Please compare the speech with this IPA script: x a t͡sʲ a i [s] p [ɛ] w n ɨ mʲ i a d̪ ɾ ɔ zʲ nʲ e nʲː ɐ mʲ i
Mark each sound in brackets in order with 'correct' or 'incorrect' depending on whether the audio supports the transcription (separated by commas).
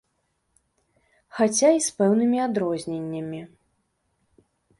correct, correct